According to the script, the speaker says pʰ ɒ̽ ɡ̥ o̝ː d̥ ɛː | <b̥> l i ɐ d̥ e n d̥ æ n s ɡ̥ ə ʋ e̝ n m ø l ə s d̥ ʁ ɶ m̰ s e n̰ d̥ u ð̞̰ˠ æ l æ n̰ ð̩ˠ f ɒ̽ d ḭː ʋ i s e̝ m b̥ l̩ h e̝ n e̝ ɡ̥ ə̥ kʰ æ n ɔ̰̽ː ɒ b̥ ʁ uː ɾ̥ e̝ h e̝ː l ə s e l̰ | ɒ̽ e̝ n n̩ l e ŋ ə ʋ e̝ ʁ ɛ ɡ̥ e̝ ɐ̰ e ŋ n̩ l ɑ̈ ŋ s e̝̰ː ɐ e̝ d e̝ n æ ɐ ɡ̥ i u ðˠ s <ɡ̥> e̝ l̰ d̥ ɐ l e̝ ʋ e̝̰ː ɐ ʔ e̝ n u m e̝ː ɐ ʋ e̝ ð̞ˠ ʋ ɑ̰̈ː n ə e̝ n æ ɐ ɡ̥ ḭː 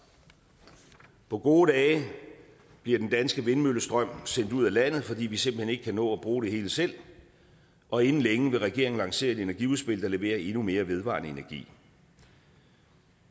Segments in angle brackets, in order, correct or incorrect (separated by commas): correct, incorrect